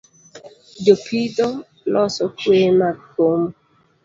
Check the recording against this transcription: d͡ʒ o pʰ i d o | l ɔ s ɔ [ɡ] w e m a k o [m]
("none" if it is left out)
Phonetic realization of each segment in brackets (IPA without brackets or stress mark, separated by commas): k, m